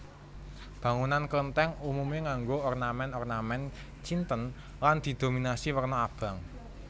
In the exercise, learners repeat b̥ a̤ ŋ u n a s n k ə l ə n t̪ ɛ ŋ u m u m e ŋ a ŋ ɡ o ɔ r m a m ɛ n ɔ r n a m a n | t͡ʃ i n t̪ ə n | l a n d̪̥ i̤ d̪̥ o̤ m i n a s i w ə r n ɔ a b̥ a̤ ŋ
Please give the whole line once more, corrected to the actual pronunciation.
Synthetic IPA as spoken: b̥ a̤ ŋ u n a n k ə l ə n t̪ ɛ ŋ u m u m e ŋ a ŋ ɡ o ɔ r n a m ɛ n ɔ r n a m ɛ n | t͡ʃ i n t̪ ə n | l a n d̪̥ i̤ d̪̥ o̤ m i n a s i w ə r n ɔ a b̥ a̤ ŋ